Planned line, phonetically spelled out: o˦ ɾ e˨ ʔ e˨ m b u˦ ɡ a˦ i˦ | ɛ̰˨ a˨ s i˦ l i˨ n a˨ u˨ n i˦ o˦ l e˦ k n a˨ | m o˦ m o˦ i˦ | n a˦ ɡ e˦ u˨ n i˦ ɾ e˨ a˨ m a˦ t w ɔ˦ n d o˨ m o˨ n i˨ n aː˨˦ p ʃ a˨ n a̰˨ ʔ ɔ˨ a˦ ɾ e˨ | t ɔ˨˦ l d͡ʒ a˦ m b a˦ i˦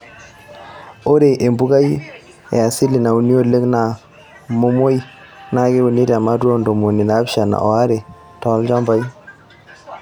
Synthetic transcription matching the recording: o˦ ɾ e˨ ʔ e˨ m b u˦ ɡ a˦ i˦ | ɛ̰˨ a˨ s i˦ l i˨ n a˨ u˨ n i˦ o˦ l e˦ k n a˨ | m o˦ m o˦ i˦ | n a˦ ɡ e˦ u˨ n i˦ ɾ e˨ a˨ m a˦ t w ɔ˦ n d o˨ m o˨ n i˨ n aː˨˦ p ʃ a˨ n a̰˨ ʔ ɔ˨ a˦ ɾ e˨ | t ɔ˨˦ l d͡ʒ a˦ m b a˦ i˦